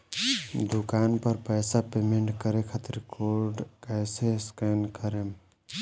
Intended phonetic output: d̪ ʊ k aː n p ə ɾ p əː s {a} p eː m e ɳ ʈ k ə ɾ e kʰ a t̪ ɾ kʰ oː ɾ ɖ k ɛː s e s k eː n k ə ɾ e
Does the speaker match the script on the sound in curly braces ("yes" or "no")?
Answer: yes